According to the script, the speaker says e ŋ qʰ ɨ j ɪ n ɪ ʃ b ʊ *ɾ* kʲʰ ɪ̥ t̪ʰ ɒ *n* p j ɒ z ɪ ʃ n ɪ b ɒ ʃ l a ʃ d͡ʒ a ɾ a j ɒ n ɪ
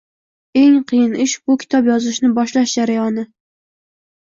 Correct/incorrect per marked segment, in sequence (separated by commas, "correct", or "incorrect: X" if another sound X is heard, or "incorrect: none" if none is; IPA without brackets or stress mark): incorrect: none, incorrect: none